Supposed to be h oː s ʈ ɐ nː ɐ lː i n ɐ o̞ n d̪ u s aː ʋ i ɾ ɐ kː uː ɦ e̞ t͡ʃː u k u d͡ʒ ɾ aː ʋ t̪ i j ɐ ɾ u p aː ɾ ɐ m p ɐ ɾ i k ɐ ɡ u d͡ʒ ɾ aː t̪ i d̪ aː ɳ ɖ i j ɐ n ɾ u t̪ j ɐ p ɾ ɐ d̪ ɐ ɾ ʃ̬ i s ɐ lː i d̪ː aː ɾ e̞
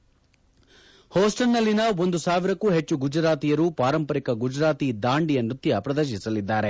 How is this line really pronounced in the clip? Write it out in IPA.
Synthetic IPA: h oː s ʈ ɐ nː ɐ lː i n ɐ o̞ n d̪ u s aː ʋ i ɾ ɐ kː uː ɦ e̞ t͡ʃː u ɡ u d͡ʒ ɾ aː t̪ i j ɐ ɾ u p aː ɾ ɐ m p ɐ ɾ i k ɐ ɡ u d͡ʒ ɾ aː t̪ i d̪ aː ɳ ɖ i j ɐ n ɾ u t̪ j ɐ p ɾ ɐ d̪ ɐ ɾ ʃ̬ i s ɐ l i d̪ː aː ɾ e̞